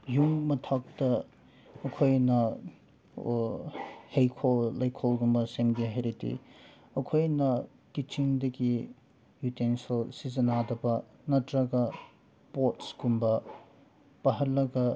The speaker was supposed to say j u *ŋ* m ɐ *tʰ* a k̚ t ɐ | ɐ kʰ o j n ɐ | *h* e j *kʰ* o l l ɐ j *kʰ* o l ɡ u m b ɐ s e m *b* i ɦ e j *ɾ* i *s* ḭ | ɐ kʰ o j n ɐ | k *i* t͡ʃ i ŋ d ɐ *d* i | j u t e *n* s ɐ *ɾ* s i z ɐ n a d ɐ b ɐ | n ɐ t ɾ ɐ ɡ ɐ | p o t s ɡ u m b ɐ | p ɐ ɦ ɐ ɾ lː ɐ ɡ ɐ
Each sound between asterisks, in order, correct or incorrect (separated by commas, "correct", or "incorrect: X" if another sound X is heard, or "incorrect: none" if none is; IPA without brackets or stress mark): correct, correct, correct, correct, correct, incorrect: ɡ, correct, incorrect: t, correct, incorrect: ɡ, correct, incorrect: l